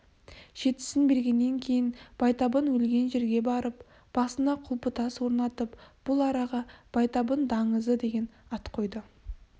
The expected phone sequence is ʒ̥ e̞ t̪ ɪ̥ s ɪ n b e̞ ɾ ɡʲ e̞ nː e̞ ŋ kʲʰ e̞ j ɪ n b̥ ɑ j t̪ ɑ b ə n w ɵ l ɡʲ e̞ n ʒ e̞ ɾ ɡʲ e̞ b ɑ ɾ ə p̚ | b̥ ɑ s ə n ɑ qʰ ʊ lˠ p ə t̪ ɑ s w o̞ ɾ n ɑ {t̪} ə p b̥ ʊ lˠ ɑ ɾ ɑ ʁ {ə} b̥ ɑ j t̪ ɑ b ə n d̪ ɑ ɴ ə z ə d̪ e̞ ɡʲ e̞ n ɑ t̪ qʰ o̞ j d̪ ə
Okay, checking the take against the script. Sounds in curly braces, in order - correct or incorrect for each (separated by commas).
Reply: correct, incorrect